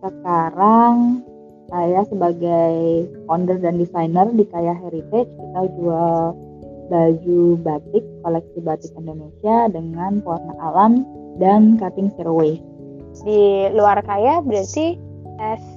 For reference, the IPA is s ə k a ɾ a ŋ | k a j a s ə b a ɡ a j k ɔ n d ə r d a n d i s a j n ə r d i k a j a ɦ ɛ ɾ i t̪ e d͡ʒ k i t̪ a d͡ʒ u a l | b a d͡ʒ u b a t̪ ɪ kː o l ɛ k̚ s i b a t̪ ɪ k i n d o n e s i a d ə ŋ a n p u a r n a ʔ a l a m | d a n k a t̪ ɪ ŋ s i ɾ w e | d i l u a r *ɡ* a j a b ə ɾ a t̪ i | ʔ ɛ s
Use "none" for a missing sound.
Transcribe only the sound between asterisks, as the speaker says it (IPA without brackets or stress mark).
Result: k